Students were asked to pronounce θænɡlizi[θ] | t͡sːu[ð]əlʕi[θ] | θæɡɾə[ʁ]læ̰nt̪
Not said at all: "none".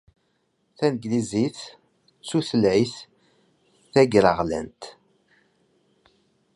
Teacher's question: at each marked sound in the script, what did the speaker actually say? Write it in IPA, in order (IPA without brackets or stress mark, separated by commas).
θ, θ, θ, ʁ